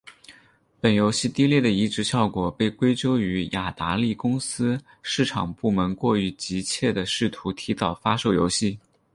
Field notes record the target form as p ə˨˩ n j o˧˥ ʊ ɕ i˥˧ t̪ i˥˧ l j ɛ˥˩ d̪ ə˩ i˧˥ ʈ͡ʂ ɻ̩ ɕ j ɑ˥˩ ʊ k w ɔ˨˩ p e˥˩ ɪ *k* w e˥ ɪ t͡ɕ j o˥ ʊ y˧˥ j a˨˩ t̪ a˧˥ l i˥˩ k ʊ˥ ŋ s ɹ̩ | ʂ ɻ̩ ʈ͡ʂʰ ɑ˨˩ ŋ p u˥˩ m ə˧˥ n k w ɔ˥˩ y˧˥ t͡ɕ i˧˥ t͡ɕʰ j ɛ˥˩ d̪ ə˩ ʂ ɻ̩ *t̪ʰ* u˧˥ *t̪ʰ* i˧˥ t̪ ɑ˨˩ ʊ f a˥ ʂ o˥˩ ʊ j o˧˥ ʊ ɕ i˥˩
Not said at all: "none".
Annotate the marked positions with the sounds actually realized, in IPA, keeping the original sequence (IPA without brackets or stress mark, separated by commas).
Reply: k, t̪ʰ, t̪ʰ